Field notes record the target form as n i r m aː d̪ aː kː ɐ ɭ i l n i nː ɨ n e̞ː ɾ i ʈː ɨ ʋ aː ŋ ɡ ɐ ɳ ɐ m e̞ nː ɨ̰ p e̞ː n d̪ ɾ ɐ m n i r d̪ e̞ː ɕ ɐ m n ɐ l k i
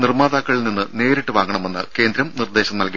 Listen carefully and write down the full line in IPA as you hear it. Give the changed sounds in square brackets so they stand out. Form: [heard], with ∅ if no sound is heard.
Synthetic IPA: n i r m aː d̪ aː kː ɐ ɭ i l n i nː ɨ n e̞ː ɾ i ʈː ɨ ʋ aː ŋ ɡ ɐ ɳ ɐ m e̞ nː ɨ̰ [k] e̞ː n d̪ ɾ ɐ m n i r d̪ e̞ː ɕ ɐ m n ɐ l k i